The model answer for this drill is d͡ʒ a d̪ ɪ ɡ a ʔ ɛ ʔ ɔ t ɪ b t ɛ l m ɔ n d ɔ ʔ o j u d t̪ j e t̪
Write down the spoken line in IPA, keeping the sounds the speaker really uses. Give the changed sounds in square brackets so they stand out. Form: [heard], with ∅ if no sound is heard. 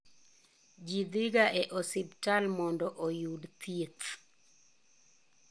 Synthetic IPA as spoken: d͡ʒ [i] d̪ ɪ ɡ a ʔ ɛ ʔ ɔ [s] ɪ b t [a] l m ɔ n d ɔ ʔ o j u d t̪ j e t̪